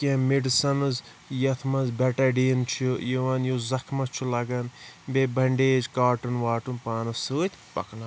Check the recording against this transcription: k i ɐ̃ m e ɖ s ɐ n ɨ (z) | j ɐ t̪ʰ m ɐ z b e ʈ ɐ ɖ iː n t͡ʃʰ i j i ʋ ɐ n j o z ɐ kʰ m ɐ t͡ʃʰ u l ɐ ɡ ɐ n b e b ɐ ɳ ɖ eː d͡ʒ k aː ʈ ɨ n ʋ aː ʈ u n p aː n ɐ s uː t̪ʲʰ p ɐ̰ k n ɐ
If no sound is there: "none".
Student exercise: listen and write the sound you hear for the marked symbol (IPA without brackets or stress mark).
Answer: z